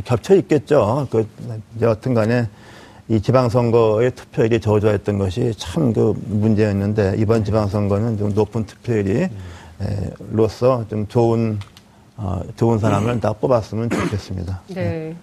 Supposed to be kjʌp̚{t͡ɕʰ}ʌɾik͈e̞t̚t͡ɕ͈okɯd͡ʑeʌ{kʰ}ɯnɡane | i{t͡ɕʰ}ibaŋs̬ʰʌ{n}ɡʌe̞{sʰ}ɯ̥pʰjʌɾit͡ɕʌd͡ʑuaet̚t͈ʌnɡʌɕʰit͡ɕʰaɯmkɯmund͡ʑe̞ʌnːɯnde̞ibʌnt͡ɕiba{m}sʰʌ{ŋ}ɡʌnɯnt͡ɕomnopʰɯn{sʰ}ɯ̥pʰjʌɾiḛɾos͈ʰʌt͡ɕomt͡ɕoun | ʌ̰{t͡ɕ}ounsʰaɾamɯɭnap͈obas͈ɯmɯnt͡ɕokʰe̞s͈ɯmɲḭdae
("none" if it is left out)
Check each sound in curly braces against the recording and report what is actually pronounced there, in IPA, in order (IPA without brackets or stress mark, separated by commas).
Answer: t͡ɕʰ, tʰ, t͡ɕ, ŋ, tʰ, ŋ, ŋ, tʰ, t͡ɕ